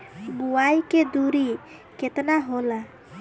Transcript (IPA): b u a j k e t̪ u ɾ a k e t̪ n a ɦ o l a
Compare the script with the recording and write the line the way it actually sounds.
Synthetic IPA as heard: b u a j k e d̪ u ɾ i k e t̪ n a ɦ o l a